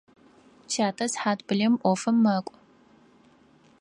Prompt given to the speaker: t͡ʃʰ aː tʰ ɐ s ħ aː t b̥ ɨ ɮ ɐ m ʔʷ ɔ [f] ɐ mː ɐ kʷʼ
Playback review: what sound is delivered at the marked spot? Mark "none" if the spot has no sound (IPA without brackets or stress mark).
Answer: f